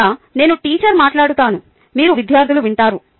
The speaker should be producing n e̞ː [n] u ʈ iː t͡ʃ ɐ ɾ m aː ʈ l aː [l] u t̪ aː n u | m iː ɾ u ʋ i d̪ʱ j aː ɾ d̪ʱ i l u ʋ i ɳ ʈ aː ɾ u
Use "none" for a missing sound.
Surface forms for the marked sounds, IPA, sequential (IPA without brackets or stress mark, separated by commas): n, ɽ